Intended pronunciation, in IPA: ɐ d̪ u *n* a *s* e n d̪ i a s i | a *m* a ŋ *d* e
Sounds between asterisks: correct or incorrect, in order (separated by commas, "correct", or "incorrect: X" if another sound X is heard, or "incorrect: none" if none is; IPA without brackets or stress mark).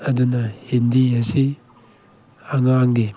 correct, incorrect: h, incorrect: ŋ, incorrect: ɡ